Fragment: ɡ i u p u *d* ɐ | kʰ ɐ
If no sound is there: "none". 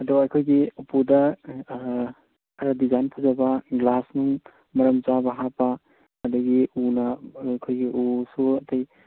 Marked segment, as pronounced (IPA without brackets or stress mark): d